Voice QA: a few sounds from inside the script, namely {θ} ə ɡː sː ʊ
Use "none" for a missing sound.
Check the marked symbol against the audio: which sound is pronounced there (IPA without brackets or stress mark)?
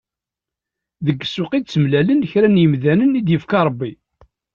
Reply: ð